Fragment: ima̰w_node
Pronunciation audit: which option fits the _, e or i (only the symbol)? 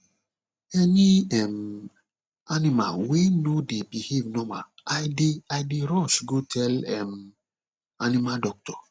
e